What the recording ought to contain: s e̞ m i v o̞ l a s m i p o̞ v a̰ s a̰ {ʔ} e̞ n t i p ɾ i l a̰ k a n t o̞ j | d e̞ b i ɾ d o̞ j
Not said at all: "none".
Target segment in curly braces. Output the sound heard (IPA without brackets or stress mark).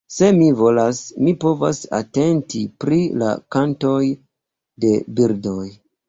t